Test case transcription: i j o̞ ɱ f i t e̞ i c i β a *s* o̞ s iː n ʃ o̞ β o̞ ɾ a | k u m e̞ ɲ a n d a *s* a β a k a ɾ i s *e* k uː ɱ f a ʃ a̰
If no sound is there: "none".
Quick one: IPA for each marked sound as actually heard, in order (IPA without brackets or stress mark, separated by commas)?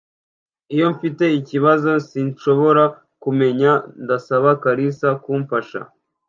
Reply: z, s, a